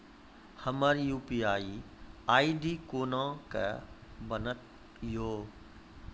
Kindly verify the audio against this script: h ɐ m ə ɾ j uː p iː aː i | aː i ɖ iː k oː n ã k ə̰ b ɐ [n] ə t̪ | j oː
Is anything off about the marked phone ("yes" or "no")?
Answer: no